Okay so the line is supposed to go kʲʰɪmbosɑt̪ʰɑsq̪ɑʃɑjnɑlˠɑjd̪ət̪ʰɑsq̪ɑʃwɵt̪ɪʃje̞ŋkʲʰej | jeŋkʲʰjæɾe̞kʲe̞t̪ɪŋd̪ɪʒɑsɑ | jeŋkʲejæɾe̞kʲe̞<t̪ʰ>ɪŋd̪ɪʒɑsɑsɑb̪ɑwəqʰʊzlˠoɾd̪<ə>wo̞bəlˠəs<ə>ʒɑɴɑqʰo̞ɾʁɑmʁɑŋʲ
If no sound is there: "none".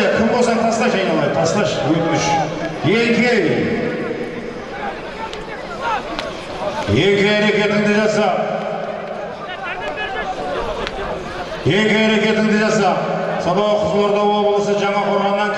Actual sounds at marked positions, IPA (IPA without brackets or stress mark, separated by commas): t̪, ɑ, ə